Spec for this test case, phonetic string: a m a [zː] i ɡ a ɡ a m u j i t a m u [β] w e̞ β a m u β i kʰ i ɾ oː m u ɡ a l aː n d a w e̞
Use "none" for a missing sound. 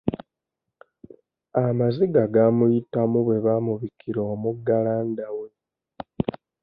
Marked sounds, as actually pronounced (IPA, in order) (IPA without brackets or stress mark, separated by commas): z, β